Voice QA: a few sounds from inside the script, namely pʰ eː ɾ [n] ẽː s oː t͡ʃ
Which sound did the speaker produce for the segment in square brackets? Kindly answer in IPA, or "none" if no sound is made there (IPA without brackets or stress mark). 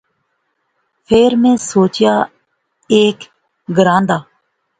m